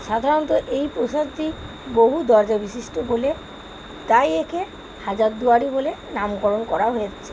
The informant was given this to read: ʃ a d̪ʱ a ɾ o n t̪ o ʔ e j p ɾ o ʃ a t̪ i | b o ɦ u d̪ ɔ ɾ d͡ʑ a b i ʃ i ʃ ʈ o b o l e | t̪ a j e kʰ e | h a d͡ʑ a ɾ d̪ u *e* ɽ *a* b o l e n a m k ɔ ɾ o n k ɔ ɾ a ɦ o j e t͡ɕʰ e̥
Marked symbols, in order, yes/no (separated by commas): no, no